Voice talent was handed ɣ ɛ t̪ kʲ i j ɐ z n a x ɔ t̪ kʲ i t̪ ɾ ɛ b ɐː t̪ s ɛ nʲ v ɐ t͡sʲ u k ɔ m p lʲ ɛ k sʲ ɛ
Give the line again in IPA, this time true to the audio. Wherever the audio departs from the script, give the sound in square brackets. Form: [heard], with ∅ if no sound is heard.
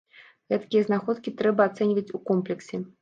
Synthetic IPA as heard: ɣ ɛ t̪ kʲ i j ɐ z n a x ɔ t̪ kʲ i t̪ ɾ ɛ b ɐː t̪ s ɛ nʲ v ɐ t͡sʲ u k ɔ m p lʲ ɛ k sʲ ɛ